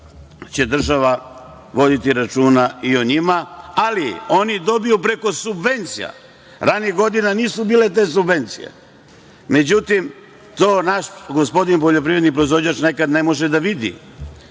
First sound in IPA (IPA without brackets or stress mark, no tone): t͡ɕ